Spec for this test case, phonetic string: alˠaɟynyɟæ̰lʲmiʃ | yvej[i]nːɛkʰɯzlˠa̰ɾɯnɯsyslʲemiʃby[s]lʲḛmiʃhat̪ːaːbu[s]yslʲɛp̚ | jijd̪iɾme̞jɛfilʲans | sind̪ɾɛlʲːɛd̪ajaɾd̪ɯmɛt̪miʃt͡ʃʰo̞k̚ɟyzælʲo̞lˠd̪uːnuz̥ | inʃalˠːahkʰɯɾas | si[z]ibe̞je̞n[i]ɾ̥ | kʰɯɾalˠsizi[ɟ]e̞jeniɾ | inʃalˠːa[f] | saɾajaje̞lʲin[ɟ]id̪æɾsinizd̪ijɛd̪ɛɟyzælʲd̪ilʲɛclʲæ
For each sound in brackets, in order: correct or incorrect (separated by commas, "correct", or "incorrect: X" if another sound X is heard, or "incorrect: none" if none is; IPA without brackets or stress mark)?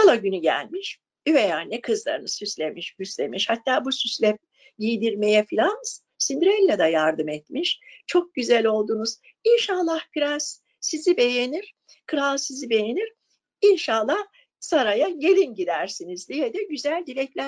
incorrect: a, correct, correct, correct, correct, incorrect: b, incorrect: h, correct